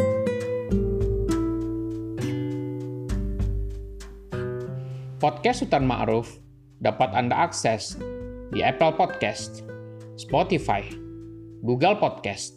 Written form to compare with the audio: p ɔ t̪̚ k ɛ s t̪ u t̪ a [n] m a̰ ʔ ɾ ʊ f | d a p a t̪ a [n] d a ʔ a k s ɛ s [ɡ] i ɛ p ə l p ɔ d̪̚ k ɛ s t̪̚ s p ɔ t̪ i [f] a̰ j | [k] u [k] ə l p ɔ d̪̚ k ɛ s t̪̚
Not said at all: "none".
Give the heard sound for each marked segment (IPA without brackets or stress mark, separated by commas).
n, n, d, f, ɡ, ɡ